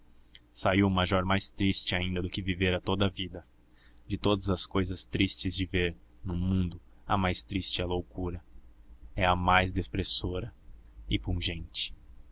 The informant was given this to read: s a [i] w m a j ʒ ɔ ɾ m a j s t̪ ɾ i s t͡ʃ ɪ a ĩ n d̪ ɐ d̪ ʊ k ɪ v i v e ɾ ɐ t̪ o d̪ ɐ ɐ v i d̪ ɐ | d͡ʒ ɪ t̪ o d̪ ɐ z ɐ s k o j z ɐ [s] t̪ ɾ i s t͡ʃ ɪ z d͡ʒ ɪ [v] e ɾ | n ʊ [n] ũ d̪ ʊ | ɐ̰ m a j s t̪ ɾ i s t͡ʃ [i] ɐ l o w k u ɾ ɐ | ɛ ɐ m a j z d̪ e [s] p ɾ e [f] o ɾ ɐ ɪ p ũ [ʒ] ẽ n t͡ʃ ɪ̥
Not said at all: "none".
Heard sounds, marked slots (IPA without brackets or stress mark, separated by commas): i, s, v, m, ɪ, s, s, ʒ